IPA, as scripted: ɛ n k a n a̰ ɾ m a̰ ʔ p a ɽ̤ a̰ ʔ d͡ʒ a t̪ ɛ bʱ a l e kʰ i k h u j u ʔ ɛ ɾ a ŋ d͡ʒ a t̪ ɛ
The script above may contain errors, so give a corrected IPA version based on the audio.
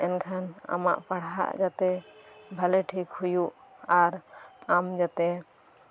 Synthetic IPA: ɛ n kʰ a n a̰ m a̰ ʔ p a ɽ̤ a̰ ʔ d͡ʒ a t̪ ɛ bʱ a l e ʈʰ i k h u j u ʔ a ɾ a m d͡ʒ a t̪ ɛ